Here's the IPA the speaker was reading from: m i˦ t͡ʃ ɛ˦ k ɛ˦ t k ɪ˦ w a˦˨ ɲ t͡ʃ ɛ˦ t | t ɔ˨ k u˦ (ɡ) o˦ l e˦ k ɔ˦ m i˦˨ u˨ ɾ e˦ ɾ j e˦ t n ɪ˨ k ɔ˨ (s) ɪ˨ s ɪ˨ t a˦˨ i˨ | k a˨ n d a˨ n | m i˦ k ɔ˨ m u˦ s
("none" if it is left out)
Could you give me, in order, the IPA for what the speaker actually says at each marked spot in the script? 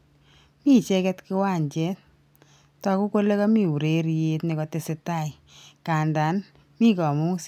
k, t

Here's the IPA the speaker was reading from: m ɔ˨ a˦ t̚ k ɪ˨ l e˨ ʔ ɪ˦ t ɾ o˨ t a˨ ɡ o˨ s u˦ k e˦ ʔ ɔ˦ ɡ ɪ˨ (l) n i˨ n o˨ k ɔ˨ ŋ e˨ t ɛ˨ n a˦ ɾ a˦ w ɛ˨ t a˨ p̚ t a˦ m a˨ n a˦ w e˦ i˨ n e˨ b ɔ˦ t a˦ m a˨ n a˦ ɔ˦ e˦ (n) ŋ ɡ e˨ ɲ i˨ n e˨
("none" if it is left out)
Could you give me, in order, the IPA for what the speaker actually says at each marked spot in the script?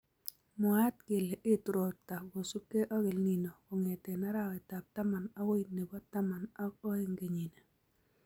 l, none

